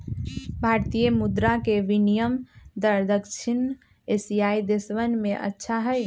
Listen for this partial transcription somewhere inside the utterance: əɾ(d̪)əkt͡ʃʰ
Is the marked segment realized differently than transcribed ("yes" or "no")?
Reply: no